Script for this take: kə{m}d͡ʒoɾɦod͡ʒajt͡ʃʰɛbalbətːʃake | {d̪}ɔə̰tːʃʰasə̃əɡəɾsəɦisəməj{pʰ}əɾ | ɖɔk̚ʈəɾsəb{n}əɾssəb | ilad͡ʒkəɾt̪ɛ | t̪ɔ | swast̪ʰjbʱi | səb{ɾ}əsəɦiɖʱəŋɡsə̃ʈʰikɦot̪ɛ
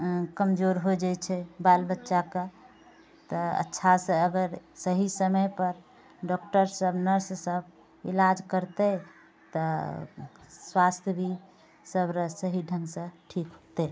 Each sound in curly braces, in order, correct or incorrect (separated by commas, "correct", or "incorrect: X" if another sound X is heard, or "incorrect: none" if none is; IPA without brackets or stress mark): correct, incorrect: t̪, incorrect: p, correct, correct